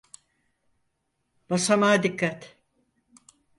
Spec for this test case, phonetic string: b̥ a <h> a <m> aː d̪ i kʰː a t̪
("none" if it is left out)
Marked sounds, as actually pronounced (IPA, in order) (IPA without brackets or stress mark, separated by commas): s, m